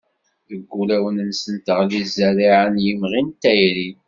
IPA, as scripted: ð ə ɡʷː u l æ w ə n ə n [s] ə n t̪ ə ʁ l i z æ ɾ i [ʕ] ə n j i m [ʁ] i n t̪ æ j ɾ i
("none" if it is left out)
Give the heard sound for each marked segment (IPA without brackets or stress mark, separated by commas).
s, ʕ, ʁ